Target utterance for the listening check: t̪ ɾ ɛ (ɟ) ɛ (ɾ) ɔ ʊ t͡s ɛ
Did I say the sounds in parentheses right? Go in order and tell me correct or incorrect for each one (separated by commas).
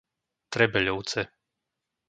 incorrect, incorrect